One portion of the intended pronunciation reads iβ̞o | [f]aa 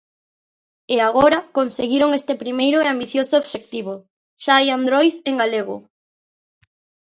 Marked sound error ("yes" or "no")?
yes